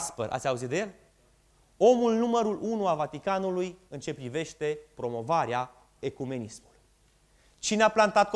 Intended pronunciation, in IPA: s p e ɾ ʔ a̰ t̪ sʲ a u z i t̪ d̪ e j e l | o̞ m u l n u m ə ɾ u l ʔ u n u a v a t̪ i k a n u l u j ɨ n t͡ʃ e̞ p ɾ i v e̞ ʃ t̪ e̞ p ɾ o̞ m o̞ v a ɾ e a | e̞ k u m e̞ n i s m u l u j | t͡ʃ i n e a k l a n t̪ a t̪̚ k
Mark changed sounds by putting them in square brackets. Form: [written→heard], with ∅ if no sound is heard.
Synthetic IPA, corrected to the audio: s p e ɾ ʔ a̰ t̪ sʲ a u z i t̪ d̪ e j e l | o̞ m u l n u m ə ɾ u l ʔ u n u a v a t̪ i k a n u l u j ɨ n t͡ʃ e̞ p ɾ i v e̞ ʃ t̪ e̞ p ɾ o̞ m o̞ v a ɾ e a | e̞ k u m e̞ n i s m u l u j | t͡ʃ i n e a [k→p] l a n t̪ a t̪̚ k